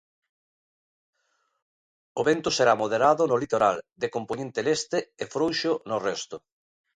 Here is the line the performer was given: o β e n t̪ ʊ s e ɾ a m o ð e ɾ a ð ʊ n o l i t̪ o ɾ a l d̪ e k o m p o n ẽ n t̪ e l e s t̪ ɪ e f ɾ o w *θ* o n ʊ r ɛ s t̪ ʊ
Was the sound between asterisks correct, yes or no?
no